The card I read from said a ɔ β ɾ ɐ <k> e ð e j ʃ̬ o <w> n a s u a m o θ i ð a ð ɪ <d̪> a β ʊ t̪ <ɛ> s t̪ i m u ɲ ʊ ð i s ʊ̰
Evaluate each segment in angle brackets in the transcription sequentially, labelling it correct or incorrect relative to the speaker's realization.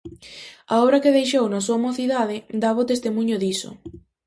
correct, correct, correct, incorrect: e

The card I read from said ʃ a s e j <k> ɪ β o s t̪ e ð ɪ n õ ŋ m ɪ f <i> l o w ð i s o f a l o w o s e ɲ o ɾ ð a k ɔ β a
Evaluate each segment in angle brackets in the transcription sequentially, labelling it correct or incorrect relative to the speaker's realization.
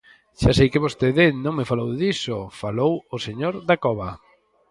correct, incorrect: a

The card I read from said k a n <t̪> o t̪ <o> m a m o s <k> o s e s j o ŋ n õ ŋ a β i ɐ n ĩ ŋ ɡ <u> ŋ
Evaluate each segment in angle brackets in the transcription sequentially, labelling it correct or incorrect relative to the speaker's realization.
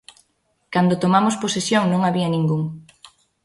incorrect: d̪, correct, incorrect: p, correct

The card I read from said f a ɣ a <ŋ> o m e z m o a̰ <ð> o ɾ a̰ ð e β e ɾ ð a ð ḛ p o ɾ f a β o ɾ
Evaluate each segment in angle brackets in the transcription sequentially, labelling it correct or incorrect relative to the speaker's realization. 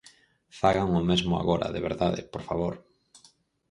correct, incorrect: ɣ

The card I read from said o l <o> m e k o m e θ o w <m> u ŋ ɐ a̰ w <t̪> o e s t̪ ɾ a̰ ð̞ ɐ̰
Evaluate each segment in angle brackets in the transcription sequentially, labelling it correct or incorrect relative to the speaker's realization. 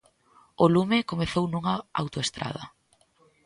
incorrect: u, incorrect: n, correct

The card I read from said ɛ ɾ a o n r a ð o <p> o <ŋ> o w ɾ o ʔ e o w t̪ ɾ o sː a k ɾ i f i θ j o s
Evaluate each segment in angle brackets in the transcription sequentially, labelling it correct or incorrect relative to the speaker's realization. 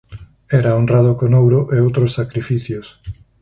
incorrect: k, incorrect: n

